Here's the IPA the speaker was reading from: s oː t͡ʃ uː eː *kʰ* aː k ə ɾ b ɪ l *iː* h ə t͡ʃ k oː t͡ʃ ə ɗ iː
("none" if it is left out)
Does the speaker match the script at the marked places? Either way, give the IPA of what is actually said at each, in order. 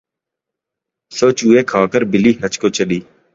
kʰ, iː

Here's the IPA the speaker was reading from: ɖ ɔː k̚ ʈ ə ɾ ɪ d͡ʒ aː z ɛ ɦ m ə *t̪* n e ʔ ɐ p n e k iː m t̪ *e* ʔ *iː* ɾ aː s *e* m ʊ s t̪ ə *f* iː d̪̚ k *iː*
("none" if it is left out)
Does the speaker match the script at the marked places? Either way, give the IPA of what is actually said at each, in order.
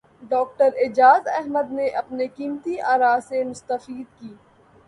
d̪, i, aː, e, f, iː

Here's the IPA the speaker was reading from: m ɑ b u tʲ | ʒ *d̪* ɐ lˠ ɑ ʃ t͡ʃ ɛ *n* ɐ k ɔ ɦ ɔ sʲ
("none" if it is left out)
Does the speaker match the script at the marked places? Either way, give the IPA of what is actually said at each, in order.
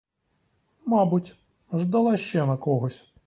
d̪, n

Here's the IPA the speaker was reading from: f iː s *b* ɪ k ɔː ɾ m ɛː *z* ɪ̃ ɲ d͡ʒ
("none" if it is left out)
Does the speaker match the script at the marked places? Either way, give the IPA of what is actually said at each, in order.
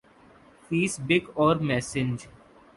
b, s

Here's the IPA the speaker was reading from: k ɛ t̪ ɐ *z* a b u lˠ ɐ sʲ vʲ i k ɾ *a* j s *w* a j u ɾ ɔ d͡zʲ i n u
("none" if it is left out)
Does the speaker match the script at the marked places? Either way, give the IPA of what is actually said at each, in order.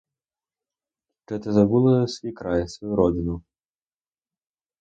z, a, v

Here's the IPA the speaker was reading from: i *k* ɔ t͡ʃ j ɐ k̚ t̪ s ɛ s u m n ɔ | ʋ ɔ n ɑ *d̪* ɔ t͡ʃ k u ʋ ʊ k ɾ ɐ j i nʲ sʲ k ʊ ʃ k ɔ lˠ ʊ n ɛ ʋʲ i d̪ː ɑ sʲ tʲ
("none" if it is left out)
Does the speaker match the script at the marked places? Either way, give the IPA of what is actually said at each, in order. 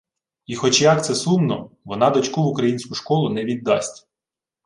x, d̪

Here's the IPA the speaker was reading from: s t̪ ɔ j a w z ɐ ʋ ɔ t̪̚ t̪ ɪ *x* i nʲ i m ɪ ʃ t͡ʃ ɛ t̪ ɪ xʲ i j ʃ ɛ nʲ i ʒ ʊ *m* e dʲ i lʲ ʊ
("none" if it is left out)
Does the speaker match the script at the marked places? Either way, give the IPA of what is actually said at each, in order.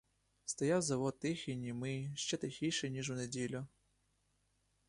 x, n

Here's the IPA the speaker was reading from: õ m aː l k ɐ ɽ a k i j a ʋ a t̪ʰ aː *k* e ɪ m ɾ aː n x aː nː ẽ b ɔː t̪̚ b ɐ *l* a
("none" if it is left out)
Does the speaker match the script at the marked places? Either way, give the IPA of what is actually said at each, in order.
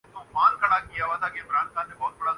k, ɽ

